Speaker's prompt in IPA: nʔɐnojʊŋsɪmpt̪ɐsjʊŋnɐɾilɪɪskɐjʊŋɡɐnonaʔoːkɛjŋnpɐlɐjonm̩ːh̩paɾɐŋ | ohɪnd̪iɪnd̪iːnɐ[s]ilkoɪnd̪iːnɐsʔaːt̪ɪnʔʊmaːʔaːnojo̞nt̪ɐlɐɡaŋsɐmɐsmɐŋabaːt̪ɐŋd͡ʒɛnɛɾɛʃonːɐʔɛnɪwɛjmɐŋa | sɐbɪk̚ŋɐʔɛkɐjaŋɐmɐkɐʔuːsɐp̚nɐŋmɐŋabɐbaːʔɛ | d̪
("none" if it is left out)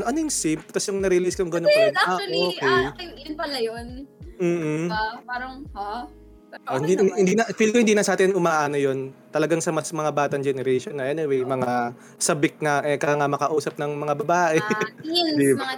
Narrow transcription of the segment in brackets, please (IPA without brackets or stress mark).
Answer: f